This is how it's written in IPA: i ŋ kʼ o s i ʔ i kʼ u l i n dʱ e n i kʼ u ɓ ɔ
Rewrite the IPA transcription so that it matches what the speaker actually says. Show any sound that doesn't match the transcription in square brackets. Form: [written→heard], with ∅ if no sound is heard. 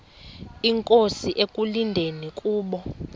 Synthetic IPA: i ŋ kʼ o s i ʔ [i→e] kʼ u l i n dʱ e n i kʼ [u→uː] ɓ ɔ